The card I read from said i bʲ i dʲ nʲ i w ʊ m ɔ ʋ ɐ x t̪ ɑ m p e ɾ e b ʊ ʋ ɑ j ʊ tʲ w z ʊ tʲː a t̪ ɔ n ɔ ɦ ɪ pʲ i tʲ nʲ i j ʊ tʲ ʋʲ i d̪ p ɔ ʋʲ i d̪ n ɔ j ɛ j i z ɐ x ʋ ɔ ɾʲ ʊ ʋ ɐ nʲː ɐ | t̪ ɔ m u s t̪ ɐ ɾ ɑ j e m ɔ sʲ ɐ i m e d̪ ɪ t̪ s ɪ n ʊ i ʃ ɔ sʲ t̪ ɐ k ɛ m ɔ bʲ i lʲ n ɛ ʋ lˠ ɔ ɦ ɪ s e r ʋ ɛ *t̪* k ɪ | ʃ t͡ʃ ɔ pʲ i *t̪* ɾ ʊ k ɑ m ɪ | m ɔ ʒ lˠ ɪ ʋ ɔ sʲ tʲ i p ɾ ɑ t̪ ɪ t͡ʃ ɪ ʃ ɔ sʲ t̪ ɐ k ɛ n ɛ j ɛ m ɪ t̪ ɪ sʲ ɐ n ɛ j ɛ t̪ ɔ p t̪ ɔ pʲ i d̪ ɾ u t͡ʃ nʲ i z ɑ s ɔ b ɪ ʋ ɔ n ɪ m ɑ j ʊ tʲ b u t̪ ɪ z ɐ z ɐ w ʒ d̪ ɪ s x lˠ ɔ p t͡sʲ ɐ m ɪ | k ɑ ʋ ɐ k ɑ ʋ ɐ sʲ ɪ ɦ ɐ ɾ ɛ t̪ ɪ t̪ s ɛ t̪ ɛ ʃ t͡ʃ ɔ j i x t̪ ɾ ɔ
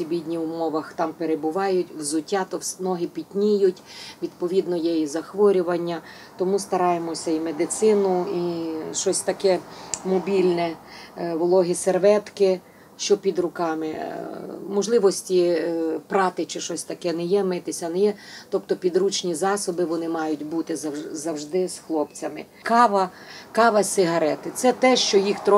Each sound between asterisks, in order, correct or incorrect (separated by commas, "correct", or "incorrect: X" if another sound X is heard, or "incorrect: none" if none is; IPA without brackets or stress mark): correct, incorrect: d̪